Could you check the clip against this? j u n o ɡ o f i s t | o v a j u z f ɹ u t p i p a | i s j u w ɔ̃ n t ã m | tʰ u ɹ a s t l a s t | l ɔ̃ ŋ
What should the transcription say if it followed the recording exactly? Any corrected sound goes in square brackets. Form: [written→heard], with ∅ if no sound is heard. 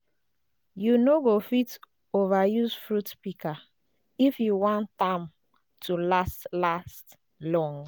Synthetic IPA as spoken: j u n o ɡ o f i [s→∅] t | o v a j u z f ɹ u t p i [p→k] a | i [s→f] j u w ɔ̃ n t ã m | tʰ u [ɹ→l] a s t l a s t | l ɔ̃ ŋ